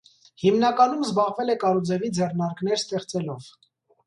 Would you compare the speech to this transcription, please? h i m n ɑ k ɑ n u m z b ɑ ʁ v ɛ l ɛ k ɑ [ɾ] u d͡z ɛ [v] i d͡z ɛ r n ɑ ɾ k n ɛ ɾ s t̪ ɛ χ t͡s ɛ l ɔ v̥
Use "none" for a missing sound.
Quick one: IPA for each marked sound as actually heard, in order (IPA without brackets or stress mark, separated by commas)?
ɾ, v